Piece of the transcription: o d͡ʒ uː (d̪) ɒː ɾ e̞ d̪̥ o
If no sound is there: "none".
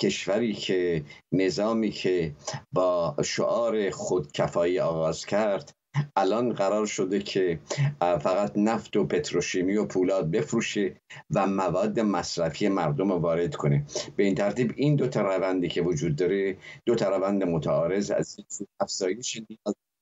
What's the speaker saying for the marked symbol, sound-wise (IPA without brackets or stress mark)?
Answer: d̪ː